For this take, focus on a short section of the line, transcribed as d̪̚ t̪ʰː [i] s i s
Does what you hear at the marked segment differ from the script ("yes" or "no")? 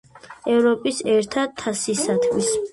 yes